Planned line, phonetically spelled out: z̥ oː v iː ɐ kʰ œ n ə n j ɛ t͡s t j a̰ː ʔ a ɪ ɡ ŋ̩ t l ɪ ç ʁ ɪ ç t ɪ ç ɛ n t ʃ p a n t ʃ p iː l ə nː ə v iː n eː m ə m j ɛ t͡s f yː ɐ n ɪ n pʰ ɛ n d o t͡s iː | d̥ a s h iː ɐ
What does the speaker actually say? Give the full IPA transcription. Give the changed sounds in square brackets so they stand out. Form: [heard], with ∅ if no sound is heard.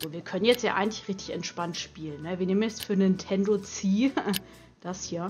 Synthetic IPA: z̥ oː v iː ɐ kʰ œ n ə n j ɛ t͡s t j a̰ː ʔ a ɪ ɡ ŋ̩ t l ɪ ç ʁ ɪ ç t ɪ ç ɛ n t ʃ p a n t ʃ p iː l ə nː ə v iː n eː m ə [n] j ɛ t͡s f yː ɐ n ɪ n [tʰ] ɛ n d o t͡s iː | d̥ a s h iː ɐ